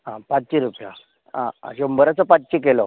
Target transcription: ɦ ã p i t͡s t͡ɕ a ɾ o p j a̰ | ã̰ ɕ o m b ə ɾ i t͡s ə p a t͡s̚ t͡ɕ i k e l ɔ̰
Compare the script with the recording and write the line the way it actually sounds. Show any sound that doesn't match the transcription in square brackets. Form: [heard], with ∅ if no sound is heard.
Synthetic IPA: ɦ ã p [a] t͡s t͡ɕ [i] ɾ [u] p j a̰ | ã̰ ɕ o m b ə ɾ [a] t͡s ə p a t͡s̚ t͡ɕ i k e l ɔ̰